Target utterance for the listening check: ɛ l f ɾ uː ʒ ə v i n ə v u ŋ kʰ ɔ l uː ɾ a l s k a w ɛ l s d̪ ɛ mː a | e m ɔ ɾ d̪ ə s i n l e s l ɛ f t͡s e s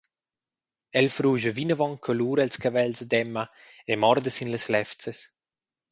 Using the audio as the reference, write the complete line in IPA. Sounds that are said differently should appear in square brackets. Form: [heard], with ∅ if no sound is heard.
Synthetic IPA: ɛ l f ɾ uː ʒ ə v i n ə v [ɔ] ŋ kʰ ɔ l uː ɾ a l s k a [v] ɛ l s d̪ ɛ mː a | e m ɔ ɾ d̪ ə s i n l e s l ɛ f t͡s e s